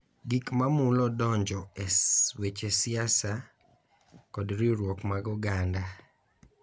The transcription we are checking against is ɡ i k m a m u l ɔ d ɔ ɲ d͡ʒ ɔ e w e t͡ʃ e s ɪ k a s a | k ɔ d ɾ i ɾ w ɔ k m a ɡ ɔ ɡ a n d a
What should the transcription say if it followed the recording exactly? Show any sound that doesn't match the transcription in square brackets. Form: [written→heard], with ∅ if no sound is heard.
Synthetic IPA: ɡ i k m a m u l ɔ d ɔ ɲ d͡ʒ ɔ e w e t͡ʃ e s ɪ [k→∅] a s a | k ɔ d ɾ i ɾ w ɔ k m a ɡ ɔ ɡ a n d a